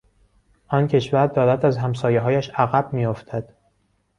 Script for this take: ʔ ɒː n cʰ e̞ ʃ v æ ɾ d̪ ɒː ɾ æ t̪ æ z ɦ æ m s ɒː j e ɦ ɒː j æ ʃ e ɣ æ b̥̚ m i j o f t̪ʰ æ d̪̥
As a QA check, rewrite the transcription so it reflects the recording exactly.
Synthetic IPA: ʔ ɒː n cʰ e̞ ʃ v æ ɾ d̪ ɒː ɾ æ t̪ æ z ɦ æ m s ɒː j e ɦ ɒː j æ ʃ æ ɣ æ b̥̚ m i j o f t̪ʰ æ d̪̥